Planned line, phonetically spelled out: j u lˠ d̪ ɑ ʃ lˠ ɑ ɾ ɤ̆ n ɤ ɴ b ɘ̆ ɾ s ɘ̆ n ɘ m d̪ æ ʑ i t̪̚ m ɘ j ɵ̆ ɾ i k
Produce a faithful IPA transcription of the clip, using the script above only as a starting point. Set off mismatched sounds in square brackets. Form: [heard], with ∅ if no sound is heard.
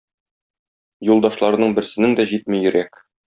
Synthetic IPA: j u lˠ d̪ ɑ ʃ lˠ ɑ ɾ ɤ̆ n ɤ ɴ b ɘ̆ ɾ s ɘ̆ n ɘ [ŋ] d̪ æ ʑ i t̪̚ m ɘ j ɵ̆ ɾ [æ] k